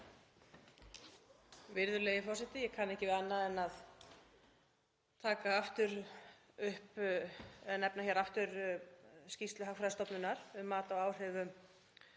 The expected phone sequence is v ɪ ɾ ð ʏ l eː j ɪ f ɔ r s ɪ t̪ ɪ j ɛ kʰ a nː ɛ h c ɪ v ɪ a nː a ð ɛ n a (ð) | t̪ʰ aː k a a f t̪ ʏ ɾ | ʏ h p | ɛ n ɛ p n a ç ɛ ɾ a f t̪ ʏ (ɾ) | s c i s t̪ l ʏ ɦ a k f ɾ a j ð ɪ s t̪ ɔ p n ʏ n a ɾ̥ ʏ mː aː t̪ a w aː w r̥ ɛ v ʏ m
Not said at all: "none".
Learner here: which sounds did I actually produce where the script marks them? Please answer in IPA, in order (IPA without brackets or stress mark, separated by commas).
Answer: ð, ɾ